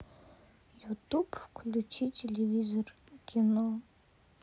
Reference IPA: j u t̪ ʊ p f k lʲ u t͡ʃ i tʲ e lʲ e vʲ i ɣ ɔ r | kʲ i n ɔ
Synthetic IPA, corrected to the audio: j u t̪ u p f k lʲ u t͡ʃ i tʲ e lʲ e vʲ i z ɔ r | kʲ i n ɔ